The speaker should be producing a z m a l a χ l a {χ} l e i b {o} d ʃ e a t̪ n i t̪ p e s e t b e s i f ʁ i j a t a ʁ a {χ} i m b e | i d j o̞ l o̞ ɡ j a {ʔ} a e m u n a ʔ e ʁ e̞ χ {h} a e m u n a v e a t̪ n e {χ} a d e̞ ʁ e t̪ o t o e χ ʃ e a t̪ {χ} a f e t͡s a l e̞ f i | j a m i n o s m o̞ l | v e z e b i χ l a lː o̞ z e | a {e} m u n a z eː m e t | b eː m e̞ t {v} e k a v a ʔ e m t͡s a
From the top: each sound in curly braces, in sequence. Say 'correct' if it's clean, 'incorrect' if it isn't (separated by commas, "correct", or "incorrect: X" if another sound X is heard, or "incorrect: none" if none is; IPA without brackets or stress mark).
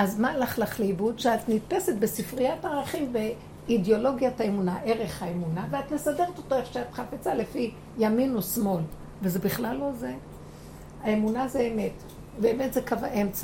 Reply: correct, incorrect: u, correct, incorrect: t, correct, incorrect: s, correct, correct, incorrect: z